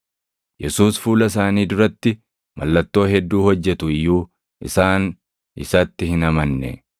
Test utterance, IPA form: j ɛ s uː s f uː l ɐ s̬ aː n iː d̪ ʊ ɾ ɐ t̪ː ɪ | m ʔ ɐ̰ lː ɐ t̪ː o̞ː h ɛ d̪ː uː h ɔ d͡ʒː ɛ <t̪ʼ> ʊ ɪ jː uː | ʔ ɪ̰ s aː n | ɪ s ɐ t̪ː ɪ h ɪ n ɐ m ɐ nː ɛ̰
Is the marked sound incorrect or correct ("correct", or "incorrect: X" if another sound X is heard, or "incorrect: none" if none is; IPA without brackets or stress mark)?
incorrect: t̪